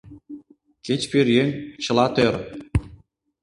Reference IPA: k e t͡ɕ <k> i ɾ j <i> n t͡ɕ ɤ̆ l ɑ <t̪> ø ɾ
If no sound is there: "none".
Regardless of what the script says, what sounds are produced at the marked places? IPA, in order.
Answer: p, e, t̪

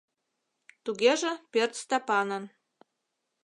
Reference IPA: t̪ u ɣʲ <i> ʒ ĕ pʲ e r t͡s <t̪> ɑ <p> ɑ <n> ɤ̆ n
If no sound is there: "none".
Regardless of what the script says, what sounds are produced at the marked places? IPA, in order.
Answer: e, t̪, p, n

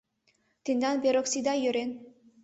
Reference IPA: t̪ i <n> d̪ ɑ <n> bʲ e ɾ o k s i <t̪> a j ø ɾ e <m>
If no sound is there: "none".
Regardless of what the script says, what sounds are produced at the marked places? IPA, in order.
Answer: n, n, d̪, n

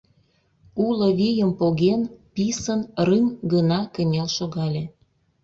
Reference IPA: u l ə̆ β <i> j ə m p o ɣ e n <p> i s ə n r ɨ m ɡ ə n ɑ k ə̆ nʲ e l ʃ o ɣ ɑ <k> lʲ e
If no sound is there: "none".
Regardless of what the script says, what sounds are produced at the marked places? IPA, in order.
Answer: i, p, none

